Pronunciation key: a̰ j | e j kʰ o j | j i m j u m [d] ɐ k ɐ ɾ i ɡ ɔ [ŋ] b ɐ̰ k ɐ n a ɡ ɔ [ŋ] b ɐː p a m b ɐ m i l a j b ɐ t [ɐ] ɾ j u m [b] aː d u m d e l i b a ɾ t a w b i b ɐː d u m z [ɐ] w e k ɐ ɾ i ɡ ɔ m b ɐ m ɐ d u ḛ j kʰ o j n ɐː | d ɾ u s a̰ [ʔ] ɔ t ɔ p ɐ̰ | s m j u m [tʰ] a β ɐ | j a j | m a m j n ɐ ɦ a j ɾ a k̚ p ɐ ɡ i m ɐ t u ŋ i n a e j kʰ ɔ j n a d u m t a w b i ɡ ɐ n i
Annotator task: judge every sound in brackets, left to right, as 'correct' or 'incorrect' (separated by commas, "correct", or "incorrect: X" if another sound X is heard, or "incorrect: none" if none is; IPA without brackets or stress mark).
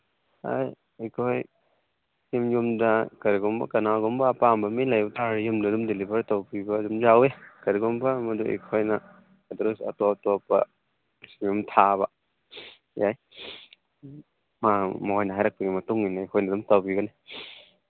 correct, incorrect: m, incorrect: m, incorrect: a, incorrect: d, incorrect: a, incorrect: t, correct